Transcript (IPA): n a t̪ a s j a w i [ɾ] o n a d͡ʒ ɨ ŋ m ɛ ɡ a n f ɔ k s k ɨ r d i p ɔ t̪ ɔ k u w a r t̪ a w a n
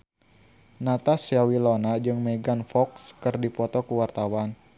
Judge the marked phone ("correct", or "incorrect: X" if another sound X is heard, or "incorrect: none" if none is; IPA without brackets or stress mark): incorrect: l